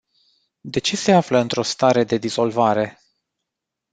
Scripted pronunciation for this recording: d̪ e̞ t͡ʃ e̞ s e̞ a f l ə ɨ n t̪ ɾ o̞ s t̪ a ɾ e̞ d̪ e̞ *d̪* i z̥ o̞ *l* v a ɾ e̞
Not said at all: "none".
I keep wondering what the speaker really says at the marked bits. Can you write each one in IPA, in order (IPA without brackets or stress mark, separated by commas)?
d̪, l